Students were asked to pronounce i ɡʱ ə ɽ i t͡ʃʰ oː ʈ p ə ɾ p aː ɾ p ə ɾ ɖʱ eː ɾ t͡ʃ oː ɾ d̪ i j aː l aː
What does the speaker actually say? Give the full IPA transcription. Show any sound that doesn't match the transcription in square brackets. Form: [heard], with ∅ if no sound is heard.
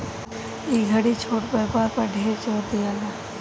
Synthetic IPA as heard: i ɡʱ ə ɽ i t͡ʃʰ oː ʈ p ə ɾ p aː ɾ p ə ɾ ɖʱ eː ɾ t͡ʃ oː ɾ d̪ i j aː l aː